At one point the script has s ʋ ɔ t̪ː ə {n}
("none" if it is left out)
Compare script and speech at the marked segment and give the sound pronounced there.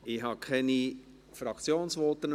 n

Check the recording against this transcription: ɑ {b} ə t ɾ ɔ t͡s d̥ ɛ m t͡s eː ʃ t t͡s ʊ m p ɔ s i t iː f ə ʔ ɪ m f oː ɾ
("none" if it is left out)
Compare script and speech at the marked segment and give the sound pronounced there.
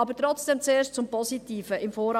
b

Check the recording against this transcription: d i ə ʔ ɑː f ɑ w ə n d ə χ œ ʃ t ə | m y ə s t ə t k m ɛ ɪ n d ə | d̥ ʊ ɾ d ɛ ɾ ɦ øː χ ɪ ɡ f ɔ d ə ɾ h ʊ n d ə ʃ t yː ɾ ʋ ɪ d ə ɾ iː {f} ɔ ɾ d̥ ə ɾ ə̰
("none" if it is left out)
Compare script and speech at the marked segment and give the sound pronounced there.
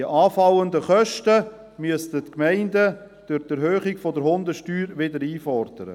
f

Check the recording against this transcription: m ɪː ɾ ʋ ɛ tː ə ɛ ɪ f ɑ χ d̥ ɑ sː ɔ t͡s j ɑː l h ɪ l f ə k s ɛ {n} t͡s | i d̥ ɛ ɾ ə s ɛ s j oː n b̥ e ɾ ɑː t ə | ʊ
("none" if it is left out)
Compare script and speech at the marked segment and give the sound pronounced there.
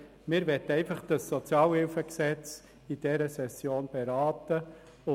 none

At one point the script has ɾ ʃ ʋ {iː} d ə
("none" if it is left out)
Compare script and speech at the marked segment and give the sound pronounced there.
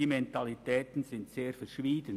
iː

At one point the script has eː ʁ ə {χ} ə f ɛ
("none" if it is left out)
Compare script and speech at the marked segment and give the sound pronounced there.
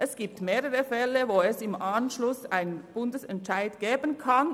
ʁ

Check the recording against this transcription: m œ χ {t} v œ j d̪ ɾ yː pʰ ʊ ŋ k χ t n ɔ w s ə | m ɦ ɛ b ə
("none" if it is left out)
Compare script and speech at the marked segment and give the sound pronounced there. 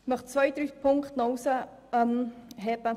t͡s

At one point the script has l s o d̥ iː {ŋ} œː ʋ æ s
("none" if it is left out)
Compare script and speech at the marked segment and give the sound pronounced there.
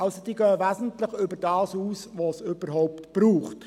ɡ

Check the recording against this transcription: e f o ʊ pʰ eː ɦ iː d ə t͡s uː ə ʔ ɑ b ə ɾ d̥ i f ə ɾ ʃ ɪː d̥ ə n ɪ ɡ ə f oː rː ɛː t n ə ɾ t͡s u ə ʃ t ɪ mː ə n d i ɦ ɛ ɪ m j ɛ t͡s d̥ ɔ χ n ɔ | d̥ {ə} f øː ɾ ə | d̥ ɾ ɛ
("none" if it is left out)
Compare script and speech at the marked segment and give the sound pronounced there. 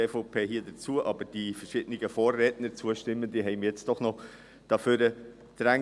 ɑ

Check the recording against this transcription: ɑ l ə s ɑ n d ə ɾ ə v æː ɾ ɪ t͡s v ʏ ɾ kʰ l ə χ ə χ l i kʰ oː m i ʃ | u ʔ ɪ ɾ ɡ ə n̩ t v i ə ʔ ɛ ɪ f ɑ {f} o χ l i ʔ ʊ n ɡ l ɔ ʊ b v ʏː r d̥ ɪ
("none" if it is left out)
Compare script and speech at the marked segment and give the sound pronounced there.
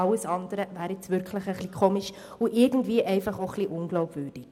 χ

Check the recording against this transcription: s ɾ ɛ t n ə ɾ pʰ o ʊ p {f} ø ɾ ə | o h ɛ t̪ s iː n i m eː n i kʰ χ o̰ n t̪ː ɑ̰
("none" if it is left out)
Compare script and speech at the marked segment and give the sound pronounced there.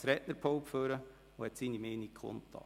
f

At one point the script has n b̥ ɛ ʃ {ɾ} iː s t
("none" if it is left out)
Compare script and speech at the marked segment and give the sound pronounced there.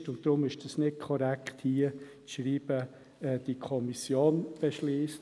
l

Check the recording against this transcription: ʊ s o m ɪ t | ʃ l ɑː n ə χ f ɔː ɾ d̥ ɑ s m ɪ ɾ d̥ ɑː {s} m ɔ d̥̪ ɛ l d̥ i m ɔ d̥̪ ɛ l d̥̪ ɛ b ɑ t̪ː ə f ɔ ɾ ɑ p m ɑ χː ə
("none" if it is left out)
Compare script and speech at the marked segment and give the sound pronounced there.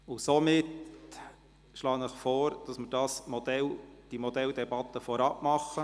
s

